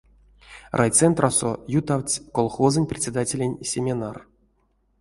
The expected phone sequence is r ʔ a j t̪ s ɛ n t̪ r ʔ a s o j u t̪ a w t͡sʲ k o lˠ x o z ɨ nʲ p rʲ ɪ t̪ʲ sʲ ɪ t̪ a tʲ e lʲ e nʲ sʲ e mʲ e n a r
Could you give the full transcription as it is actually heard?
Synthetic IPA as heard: r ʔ a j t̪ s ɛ n t̪ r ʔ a s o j u t̪ a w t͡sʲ k o lˠ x o z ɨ nʲ p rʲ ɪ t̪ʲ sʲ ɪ d̪ a tʲ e lʲ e nʲ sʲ e mʲ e n a r